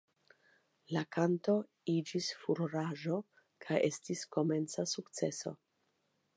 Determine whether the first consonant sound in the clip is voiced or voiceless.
voiced